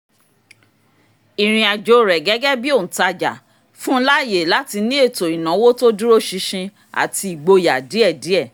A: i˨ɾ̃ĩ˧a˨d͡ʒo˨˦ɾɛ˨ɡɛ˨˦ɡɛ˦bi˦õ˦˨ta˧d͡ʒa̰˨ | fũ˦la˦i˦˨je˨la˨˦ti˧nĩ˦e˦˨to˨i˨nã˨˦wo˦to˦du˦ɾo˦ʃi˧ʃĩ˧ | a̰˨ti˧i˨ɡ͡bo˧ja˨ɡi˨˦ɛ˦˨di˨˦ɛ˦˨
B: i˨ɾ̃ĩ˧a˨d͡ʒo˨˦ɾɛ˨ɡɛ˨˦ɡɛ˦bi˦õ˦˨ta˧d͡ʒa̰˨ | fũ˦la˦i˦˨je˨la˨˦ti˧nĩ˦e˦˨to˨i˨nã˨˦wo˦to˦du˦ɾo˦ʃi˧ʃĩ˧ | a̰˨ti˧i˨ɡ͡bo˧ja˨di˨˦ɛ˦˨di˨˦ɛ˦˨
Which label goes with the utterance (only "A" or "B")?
B